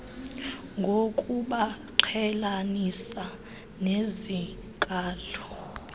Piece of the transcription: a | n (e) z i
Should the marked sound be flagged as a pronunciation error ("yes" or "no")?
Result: no